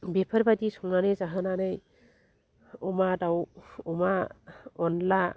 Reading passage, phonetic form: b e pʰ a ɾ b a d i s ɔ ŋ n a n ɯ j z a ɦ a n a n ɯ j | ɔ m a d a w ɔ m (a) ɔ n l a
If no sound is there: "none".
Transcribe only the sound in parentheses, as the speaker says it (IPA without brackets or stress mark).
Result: a